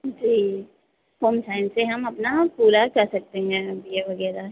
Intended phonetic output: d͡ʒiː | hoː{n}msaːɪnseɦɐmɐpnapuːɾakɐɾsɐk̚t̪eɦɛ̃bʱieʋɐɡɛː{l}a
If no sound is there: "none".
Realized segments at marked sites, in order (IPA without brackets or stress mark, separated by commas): none, ɾ